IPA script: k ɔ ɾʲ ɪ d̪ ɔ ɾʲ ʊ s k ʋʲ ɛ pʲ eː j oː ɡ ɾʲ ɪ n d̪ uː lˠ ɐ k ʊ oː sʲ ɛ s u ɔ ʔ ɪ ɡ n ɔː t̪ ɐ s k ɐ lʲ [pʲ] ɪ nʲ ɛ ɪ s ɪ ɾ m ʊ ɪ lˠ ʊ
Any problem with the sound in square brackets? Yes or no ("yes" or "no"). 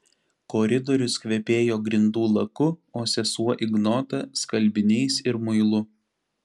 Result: yes